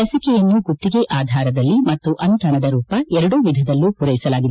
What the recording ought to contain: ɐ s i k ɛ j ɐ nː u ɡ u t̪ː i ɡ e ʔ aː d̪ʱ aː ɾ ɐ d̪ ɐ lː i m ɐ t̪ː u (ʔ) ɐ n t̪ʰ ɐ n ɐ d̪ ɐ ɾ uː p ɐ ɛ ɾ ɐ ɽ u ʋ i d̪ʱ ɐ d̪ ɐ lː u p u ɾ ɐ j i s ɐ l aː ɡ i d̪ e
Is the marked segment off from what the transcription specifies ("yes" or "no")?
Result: no